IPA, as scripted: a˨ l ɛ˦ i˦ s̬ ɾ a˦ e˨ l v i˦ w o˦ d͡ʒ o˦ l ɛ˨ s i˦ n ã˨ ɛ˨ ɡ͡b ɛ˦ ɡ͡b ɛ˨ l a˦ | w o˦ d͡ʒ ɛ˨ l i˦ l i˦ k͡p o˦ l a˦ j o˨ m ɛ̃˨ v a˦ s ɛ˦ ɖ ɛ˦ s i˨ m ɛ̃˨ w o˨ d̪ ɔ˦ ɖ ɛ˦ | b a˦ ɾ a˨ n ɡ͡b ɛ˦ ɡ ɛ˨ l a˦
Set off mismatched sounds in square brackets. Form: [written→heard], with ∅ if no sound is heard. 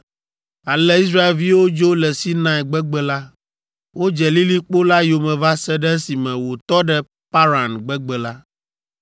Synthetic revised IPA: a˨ l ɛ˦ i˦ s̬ ɾ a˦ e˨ l v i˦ w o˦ d͡ʒ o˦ l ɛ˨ s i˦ n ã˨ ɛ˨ ɡ͡b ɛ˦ ɡ͡b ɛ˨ l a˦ | w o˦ d͡ʒ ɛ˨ l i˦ l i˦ k͡p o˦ l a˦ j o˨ m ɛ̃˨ v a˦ s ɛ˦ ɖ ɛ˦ s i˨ m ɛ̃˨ w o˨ [d̪→t̪] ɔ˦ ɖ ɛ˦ | [b→p] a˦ ɾ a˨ n ɡ͡b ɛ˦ [ɡ→ɡ͡b] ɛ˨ l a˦